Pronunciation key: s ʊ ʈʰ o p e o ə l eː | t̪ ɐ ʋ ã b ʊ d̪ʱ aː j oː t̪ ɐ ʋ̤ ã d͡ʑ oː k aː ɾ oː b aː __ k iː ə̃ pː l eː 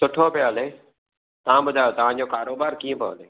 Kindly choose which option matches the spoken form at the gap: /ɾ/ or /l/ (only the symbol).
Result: ɾ